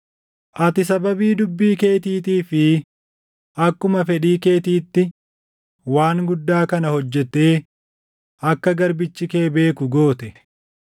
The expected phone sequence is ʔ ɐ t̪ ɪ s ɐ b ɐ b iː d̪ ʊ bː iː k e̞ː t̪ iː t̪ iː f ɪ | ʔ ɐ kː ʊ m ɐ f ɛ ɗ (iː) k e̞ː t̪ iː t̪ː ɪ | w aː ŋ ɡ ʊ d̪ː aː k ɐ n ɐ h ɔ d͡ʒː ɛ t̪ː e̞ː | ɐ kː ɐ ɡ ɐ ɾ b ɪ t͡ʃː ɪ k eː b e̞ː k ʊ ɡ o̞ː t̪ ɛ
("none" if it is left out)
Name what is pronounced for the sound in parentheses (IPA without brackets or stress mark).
iː